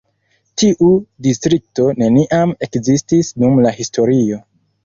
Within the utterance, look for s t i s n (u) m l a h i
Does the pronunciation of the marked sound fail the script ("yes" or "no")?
no